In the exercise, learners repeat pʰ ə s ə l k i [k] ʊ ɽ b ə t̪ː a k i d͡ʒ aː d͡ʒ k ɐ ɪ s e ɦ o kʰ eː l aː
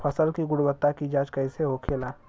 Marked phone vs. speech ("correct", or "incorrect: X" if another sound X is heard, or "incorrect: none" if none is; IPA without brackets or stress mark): incorrect: ɡ